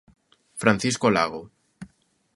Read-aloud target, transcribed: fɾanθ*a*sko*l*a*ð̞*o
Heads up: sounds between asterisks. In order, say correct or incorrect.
incorrect, correct, incorrect

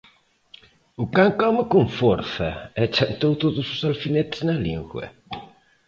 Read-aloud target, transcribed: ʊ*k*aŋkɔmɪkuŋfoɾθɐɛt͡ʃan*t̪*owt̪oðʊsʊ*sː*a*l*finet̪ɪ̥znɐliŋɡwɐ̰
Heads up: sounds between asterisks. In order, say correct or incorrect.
correct, correct, incorrect, correct

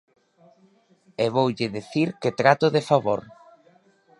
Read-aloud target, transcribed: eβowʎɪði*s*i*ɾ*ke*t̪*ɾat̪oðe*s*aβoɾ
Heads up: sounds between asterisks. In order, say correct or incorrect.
incorrect, correct, correct, incorrect

